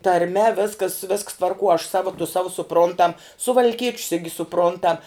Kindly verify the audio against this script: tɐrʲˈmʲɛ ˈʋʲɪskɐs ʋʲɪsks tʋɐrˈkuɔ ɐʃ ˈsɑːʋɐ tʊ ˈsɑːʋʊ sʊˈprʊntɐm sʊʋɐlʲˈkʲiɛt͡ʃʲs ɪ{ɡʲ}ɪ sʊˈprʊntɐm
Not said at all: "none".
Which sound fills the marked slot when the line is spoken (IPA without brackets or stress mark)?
ɡʲ